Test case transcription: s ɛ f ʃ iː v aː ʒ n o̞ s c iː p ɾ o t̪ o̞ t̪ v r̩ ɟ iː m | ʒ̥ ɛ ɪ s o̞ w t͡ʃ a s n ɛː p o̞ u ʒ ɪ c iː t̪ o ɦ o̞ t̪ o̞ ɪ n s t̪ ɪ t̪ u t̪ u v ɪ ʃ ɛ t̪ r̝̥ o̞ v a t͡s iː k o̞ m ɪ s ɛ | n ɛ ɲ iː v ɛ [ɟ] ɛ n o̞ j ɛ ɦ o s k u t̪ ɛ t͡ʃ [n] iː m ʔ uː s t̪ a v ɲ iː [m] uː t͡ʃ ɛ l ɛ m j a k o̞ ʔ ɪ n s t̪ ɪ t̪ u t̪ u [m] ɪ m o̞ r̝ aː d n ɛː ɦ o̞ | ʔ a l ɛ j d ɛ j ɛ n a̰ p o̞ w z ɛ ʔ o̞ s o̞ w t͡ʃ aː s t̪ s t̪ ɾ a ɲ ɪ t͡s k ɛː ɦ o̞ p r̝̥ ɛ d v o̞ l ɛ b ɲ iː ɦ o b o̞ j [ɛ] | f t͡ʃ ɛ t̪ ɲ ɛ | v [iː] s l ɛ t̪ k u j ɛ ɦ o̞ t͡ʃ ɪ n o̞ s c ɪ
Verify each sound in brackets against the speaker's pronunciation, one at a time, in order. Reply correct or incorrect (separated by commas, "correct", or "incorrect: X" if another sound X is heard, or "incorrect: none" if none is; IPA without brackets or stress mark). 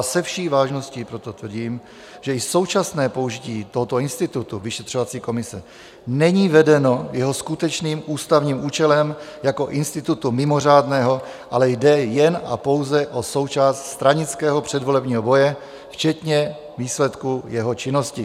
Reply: incorrect: d, correct, correct, correct, correct, correct